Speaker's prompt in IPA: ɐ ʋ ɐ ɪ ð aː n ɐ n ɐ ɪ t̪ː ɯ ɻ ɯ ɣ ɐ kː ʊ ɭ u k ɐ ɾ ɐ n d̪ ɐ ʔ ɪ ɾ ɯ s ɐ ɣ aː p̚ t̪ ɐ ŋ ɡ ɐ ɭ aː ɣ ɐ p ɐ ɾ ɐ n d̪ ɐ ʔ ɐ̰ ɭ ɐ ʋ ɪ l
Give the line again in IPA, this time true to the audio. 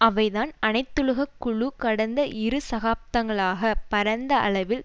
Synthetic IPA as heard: ɐ ʋ ɐ ɪ ð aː n ɐ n ɐ ɪ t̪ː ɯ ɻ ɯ ɣ ɐ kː ʊ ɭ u k ɐ ɽ ɐ n d̪ ɐ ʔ ɪ ɾ ɯ s ɐ ɣ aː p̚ t̪ ɐ ŋ ɡ ɐ ɭ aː ɣ ɐ p ɐ ɾ ɐ n d̪ ɐ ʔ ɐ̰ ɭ ɐ ʋ ɪ l